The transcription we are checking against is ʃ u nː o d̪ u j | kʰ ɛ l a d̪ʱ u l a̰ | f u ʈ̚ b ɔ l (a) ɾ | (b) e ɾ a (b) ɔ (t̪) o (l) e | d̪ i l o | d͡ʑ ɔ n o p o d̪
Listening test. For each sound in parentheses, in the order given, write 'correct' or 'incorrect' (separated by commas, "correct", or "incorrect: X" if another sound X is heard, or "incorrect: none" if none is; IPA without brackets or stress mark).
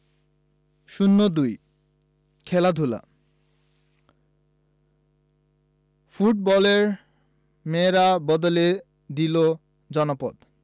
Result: incorrect: e, incorrect: m, correct, incorrect: d̪, correct